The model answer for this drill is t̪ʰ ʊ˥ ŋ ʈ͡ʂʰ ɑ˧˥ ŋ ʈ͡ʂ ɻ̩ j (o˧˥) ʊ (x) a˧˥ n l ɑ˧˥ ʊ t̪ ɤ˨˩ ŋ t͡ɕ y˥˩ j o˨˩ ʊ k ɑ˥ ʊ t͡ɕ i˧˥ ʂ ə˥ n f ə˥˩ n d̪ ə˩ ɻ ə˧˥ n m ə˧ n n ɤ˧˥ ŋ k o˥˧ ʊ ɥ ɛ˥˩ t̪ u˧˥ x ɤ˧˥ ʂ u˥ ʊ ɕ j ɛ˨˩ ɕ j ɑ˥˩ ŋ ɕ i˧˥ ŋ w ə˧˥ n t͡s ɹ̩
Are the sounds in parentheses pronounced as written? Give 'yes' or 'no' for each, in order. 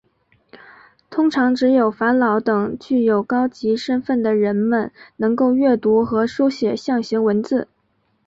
no, no

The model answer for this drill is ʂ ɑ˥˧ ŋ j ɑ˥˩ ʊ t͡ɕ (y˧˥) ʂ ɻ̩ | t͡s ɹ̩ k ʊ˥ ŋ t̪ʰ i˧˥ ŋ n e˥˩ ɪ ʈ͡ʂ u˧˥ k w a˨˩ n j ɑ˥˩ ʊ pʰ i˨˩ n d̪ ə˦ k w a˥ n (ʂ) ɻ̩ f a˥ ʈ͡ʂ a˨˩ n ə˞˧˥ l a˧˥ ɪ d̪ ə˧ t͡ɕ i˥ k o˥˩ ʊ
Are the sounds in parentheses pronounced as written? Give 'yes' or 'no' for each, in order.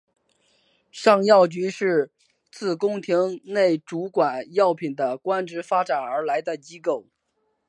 yes, no

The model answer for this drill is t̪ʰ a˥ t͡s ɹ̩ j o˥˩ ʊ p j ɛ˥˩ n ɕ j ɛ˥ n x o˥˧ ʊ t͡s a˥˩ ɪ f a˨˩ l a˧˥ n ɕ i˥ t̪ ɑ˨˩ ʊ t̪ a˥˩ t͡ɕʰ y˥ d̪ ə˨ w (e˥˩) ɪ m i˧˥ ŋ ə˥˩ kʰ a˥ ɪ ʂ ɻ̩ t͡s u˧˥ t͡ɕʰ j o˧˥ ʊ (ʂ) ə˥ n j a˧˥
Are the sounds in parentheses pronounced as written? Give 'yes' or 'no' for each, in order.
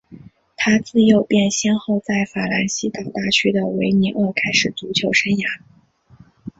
no, yes

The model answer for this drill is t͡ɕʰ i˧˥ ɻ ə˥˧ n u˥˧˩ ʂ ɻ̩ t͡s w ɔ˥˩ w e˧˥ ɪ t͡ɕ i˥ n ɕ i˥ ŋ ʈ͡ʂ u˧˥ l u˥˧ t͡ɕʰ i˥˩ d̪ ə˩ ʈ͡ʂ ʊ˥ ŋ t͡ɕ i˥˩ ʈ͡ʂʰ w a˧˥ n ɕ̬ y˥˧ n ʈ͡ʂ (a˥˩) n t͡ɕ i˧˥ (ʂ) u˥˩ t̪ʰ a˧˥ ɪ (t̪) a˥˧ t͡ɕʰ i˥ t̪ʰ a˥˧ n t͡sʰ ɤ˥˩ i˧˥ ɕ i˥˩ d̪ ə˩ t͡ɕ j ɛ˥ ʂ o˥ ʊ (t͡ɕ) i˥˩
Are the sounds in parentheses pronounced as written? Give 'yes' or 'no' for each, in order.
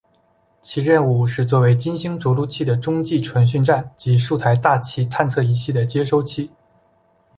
yes, yes, yes, no

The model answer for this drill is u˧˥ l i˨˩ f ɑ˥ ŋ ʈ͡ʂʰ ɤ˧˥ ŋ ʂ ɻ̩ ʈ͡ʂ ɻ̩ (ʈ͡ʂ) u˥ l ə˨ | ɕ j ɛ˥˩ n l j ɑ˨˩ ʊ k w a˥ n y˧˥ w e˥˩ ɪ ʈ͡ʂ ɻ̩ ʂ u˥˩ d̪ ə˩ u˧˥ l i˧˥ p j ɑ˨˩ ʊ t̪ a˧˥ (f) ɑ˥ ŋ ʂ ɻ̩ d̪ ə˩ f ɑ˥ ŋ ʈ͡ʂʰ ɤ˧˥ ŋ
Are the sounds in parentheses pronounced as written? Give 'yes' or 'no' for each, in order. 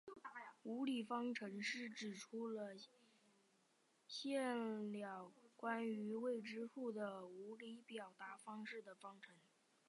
no, yes

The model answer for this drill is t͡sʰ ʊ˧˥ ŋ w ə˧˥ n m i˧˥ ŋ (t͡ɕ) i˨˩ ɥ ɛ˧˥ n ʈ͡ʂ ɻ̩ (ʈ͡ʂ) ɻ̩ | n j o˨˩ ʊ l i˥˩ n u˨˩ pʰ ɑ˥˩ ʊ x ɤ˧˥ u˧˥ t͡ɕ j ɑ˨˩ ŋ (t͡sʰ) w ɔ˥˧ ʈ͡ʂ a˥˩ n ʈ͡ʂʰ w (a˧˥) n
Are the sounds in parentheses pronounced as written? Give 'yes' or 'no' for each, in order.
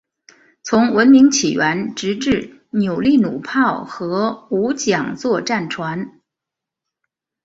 no, yes, no, yes

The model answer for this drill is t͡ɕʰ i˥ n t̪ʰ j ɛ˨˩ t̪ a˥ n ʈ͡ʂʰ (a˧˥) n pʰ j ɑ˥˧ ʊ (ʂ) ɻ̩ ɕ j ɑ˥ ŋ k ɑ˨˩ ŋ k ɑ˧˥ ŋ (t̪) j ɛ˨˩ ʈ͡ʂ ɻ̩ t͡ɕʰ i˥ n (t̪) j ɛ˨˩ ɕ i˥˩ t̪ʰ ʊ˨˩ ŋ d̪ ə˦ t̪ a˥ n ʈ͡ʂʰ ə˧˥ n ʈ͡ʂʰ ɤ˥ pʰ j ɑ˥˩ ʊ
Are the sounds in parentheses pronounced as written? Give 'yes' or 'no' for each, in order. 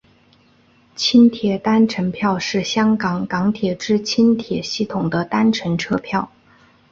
no, yes, no, no

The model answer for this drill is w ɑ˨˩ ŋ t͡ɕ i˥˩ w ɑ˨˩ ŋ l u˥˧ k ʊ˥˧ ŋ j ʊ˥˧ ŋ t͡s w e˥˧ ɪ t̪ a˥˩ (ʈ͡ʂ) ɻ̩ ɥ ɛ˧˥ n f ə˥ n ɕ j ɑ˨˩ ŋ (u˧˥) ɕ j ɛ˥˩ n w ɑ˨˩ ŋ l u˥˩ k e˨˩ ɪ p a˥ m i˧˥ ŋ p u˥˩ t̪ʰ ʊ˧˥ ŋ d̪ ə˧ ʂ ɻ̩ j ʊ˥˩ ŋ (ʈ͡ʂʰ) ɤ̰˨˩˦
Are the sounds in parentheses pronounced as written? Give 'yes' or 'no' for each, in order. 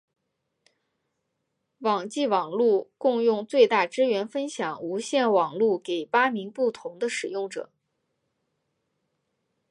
yes, yes, no

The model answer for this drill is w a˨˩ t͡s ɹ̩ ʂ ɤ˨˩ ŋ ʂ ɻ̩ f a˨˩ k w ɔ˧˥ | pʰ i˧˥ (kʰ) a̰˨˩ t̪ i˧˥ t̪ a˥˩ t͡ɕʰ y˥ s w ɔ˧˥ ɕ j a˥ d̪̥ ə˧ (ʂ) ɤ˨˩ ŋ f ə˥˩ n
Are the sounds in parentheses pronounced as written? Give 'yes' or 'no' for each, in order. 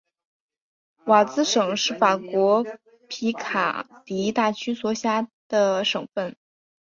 yes, yes

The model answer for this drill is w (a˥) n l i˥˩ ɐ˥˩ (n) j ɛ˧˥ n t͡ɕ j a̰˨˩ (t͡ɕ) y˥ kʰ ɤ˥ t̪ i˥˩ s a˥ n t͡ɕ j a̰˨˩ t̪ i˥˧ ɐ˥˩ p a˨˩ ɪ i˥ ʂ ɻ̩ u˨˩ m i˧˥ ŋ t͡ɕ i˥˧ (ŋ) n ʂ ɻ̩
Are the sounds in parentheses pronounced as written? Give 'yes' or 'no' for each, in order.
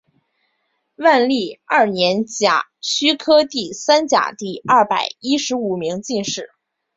no, yes, no, no

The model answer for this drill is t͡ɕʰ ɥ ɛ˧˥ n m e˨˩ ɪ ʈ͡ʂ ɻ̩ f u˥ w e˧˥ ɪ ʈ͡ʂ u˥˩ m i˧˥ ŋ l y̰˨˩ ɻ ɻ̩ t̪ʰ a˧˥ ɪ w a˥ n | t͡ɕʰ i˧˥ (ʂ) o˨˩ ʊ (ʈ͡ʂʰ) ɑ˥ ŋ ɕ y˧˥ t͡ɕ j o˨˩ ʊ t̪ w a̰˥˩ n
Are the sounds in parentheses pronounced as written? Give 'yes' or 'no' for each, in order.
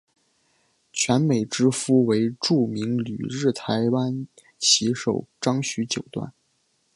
yes, no

